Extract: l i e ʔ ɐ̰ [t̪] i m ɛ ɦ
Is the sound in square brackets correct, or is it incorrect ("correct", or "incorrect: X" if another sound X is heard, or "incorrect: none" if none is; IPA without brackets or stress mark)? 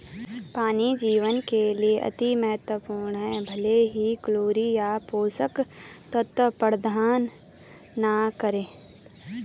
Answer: correct